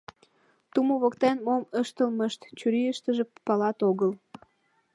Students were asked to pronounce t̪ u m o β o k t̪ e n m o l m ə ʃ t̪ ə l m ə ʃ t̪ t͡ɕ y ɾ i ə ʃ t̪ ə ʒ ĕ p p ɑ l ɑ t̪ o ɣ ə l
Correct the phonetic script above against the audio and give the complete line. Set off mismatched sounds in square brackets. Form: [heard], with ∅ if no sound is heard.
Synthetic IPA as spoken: t̪ u m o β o k t̪ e n m o [∅] m ə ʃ t̪ ə l m ə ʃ t̪ t͡ɕ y ɾ i ə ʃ t̪ ə ʒ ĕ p p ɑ l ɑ t̪ o ɣ ə l